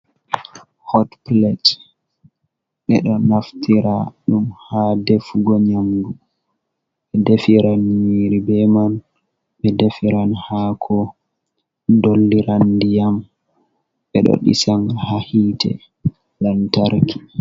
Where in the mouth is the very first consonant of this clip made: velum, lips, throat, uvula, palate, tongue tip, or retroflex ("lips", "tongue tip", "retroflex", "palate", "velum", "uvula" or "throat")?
throat